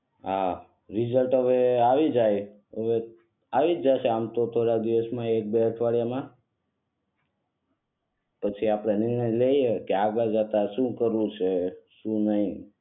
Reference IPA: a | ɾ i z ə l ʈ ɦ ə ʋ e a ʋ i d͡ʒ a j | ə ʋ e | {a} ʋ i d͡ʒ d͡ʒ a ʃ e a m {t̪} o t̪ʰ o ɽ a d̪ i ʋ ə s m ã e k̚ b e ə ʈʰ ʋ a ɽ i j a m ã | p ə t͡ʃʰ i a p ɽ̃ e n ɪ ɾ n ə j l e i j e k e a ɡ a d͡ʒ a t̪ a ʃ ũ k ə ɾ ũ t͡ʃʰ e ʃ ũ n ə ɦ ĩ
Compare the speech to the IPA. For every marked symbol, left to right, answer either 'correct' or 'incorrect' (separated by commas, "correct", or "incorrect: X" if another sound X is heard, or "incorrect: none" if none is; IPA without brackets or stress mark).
correct, correct